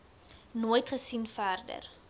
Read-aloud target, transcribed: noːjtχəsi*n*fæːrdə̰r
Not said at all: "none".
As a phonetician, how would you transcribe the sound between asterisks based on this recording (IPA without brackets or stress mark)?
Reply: n